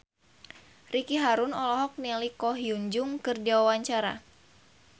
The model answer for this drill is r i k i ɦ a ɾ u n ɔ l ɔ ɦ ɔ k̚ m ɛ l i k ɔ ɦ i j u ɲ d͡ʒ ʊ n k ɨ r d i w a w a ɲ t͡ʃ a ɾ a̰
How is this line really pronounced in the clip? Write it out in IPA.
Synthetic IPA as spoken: r i k i ɦ a ɾ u n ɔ l ɔ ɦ ɔ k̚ n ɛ l i k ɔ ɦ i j u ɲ d͡ʒ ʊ ŋ k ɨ r d i w a w a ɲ t͡ʃ a ɾ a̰